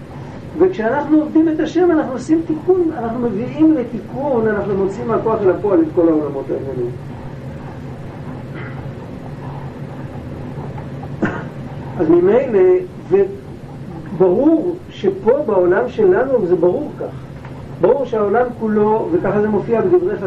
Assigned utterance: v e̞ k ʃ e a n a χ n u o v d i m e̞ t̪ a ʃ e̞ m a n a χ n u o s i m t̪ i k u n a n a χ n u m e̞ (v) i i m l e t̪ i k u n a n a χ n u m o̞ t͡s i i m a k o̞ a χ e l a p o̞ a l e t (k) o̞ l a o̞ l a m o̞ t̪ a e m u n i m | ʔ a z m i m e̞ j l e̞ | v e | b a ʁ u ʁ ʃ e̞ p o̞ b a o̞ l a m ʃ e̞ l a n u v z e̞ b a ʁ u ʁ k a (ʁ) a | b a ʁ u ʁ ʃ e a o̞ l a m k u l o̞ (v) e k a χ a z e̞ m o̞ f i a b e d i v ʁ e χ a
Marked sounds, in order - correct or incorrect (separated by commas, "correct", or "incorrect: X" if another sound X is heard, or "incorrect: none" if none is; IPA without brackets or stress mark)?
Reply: correct, correct, incorrect: χ, correct